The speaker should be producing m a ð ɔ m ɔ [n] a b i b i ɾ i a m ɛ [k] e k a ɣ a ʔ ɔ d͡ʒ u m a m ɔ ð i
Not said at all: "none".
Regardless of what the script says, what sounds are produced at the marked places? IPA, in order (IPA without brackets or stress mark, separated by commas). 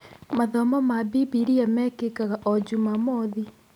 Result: m, k